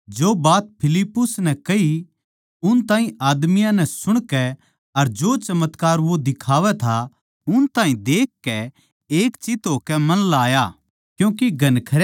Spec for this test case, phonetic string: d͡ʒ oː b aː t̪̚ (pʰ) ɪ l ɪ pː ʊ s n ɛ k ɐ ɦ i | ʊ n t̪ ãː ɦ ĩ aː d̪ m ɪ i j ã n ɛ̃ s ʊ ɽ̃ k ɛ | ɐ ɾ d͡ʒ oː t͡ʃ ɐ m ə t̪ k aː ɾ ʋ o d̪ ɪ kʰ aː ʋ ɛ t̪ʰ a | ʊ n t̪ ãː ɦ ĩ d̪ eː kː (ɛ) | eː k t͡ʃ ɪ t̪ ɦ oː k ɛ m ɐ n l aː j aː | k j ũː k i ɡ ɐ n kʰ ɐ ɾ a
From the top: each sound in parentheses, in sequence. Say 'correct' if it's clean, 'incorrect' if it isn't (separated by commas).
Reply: correct, correct